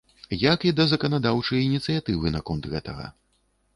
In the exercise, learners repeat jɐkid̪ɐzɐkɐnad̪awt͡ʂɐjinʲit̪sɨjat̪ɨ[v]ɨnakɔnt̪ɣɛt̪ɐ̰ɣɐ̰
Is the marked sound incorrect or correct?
correct